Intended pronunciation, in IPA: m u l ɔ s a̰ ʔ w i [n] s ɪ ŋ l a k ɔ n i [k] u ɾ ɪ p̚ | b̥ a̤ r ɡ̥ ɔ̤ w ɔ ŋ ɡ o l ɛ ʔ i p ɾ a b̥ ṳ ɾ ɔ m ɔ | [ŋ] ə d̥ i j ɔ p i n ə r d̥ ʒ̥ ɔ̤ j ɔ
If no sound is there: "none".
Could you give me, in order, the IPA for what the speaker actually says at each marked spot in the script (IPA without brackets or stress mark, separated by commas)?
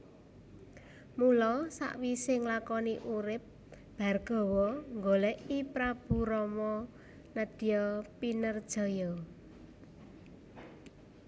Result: none, ʔ, n